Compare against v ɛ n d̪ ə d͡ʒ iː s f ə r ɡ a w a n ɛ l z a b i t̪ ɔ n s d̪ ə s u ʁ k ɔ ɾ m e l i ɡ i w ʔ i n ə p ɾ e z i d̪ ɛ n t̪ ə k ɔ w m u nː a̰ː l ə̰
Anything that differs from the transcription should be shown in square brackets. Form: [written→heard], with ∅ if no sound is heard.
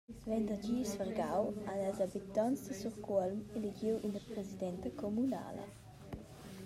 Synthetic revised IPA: v ɛ n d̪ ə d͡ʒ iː s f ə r ɡ a w a n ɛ l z a b i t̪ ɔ n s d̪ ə s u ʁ k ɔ [ɾ→l] m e l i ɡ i w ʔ i n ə p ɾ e z i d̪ ɛ n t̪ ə k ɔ [w→∅] m u [nː→n] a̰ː l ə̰